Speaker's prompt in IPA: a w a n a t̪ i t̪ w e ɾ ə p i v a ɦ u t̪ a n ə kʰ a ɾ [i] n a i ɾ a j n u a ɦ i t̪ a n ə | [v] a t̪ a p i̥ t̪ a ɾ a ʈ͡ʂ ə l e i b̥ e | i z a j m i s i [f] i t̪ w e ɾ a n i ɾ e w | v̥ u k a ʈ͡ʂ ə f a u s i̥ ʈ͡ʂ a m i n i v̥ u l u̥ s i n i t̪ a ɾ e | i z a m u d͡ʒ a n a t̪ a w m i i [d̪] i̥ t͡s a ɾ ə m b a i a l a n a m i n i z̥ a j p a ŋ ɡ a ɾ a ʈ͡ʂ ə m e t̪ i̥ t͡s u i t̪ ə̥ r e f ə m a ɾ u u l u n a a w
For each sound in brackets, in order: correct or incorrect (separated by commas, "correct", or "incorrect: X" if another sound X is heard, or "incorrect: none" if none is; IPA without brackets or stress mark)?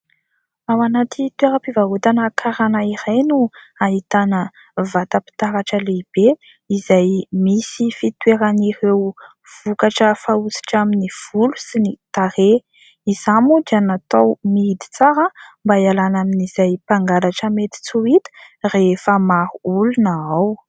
incorrect: a, correct, correct, correct